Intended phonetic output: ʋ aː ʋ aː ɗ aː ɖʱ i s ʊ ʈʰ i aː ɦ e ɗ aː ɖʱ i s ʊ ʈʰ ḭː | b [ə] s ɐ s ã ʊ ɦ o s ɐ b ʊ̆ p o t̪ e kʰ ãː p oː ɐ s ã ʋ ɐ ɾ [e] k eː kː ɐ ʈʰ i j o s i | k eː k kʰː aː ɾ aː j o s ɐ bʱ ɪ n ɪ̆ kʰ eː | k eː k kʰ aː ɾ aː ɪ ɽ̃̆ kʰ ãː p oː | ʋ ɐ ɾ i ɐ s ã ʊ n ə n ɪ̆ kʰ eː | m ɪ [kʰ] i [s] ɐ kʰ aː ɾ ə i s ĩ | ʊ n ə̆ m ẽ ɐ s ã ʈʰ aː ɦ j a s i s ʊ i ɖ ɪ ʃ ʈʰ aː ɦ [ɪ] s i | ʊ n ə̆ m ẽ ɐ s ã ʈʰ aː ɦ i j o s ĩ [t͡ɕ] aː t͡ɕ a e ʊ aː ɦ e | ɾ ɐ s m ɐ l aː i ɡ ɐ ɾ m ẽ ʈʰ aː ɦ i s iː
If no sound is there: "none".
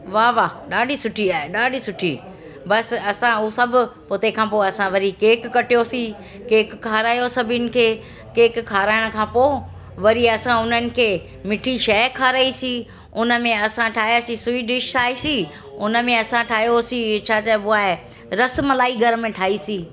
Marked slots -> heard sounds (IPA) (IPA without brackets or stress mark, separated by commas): ɐ, i, ʈʰ, ʃ, i, t͡ɕʰ